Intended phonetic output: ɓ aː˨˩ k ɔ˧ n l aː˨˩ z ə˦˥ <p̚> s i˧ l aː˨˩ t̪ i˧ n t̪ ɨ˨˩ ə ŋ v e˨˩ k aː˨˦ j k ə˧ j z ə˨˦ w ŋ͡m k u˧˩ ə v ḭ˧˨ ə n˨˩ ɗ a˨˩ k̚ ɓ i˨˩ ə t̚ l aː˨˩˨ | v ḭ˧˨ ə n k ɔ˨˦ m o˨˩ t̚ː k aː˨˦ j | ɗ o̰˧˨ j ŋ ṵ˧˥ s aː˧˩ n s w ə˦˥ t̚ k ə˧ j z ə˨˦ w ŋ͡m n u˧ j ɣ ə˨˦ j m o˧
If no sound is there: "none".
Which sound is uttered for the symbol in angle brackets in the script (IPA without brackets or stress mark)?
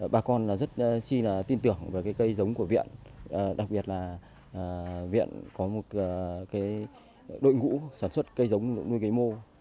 t̚